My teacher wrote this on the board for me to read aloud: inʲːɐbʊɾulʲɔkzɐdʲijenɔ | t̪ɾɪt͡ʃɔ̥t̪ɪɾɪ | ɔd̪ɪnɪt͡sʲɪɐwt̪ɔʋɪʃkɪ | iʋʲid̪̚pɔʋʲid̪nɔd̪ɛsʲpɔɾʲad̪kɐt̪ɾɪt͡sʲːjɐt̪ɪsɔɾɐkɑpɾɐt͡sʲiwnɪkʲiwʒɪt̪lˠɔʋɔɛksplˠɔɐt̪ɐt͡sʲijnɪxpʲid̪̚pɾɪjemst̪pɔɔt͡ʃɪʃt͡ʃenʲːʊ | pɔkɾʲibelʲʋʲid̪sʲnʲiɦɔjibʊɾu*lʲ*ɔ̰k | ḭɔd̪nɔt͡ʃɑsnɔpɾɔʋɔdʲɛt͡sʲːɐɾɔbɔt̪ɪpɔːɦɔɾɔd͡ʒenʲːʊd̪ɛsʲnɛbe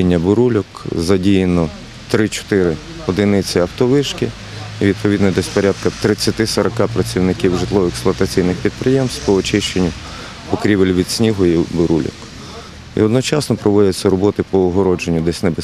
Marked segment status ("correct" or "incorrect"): correct